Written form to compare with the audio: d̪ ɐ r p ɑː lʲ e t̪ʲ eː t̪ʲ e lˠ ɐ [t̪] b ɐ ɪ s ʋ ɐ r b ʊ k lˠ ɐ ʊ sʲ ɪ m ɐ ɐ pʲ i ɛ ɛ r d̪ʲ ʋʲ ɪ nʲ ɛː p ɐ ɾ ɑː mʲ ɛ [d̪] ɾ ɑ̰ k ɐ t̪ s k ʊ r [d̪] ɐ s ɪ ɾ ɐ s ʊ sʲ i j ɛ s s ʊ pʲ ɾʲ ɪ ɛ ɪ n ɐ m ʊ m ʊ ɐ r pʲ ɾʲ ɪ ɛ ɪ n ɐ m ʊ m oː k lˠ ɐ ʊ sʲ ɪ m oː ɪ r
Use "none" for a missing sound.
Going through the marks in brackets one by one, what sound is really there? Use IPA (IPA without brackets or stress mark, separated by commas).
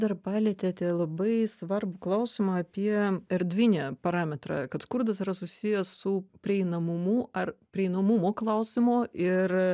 none, t̪, d̪